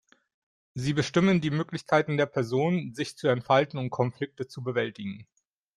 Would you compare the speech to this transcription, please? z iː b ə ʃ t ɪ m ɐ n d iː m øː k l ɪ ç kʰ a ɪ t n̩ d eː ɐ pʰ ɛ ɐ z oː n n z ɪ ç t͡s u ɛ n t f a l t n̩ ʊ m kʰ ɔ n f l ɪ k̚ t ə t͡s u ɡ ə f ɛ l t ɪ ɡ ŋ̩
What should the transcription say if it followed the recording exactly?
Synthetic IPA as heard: z iː b ə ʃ t ɪ m ə n d iː m øː k l ɪ ç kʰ a ɪ t n̩ d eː ɐ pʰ ɛ ɐ z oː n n z ɪ ç t͡s u ɛ n t f a l t n̩ ʊ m kʰ ɔ n f l ɪ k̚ t ə t͡s u b ə v ɛ l t ɪ ɡ ŋ̩